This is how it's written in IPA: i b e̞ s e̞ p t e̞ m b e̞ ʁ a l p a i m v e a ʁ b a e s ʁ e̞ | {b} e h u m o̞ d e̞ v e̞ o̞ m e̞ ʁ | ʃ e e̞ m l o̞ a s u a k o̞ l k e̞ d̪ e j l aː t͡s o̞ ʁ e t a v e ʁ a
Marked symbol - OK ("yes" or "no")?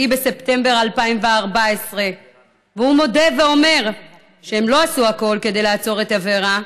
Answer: no